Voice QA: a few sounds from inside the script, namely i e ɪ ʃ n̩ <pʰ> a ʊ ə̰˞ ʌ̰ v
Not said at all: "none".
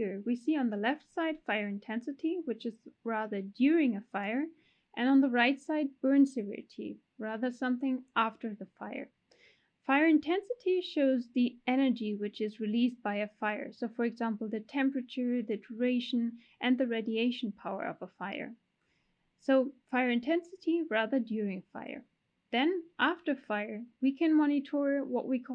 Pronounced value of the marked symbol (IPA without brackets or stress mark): pʰ